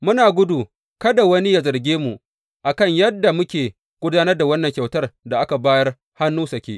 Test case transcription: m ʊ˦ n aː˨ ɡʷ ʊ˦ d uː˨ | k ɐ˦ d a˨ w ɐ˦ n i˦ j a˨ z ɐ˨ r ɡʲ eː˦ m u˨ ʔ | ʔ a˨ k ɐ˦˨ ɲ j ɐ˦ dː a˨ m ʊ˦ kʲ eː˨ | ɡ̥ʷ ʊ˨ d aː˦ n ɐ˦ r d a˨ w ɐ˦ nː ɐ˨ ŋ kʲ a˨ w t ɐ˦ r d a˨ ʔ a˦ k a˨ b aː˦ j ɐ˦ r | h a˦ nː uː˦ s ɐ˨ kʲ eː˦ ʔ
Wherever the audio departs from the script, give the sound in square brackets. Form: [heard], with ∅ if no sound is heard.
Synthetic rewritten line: m ʊ˦ n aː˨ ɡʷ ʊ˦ d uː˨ | k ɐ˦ d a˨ w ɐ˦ n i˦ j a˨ z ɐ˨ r ɡʲ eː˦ m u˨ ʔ | ʔ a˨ k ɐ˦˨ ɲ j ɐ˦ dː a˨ m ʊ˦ kʲ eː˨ | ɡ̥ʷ [ʊ˦] d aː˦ n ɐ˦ r d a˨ w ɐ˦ nː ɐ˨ ŋ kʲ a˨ w t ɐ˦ r d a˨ ʔ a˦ k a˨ b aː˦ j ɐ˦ r | h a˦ nː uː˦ s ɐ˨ kʲ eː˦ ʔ